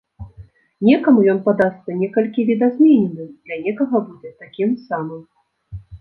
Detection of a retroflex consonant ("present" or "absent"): absent